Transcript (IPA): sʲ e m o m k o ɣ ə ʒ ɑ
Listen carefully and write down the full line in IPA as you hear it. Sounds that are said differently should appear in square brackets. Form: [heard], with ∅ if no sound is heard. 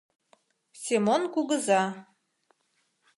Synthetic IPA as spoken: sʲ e m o [n] k [u] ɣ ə [z] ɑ